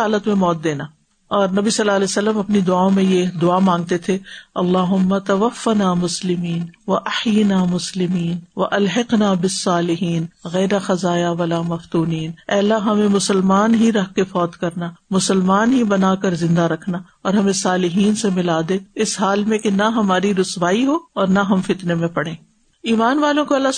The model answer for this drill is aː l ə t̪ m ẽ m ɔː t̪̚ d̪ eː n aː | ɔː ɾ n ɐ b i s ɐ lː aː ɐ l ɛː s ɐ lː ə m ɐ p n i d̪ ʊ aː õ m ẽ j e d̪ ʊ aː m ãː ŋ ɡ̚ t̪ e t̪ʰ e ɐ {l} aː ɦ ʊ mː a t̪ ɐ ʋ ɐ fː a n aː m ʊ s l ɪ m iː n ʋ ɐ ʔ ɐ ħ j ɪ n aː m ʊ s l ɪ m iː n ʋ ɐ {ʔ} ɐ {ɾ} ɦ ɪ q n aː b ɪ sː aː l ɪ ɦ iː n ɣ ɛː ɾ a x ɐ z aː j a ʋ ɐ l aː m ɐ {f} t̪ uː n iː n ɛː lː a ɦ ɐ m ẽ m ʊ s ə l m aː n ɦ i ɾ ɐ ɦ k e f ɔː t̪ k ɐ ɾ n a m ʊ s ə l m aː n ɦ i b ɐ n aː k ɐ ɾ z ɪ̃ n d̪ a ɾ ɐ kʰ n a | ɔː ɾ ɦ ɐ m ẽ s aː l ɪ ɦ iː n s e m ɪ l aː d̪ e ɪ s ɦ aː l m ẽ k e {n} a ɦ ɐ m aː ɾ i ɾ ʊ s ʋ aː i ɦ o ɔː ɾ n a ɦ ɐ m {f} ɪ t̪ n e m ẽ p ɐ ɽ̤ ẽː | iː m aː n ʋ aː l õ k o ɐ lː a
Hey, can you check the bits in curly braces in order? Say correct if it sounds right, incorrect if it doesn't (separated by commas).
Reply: incorrect, correct, incorrect, correct, correct, correct